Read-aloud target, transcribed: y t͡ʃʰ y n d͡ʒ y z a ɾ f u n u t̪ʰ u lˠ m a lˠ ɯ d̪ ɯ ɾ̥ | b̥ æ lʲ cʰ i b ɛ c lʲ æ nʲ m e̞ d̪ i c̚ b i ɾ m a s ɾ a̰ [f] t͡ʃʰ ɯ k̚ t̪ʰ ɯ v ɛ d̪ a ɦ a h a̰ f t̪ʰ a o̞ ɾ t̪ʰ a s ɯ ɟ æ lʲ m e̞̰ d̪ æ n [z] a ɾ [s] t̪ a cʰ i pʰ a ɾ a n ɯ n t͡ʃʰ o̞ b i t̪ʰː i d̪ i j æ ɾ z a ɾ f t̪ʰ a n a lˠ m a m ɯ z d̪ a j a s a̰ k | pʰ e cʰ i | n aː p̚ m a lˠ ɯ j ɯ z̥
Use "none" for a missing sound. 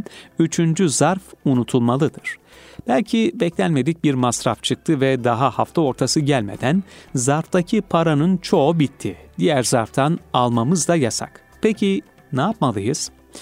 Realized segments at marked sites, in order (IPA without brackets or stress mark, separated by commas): f, z, f